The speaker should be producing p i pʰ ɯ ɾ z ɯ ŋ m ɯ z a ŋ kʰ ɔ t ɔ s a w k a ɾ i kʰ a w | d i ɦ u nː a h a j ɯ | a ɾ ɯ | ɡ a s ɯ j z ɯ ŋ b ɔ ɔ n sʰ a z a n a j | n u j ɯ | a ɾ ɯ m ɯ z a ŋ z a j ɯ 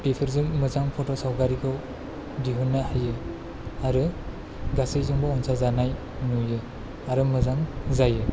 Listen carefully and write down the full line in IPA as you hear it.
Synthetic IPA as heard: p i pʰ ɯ ɾ z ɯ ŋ m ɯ z a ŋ pʰ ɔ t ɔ s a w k a ɾ i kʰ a w | d i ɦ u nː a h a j ɯ | a ɾ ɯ | ɡ a s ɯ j z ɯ ŋ b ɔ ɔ n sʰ a z a n a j | n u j ɯ | a ɾ ɯ m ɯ z a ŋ z a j ɯ